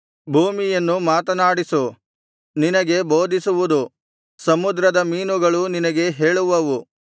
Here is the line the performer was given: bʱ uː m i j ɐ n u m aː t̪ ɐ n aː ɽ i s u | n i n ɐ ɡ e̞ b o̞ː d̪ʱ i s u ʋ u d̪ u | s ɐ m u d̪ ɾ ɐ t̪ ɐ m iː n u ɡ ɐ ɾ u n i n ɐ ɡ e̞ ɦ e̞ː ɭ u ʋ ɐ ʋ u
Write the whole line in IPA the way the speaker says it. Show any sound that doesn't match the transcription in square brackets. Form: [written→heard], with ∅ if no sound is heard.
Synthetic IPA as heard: bʱ uː m i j ɐ [n→nː] u m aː t̪ ɐ n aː ɽ i s u | n i n ɐ ɡ e̞ b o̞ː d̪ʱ i s u ʋ u d̪ u | s ɐ m u d̪ ɾ ɐ [t̪→d̪] ɐ m iː n u ɡ ɐ [ɾ→ɭ] u n i n ɐ ɡ e̞ ɦ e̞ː ɭ u ʋ ɐ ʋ u